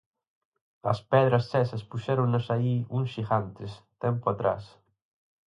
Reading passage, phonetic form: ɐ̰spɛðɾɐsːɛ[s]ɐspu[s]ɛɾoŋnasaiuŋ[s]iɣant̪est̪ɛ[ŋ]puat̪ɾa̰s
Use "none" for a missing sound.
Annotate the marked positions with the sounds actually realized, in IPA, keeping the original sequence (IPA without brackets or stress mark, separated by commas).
s, ʃ, ʃ, m